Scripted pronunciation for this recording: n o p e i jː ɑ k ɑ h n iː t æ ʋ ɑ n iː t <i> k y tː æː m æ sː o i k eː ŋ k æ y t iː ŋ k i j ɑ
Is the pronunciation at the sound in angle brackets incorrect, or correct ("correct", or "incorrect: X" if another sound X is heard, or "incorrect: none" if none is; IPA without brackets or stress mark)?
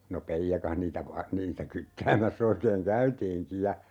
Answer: incorrect: æ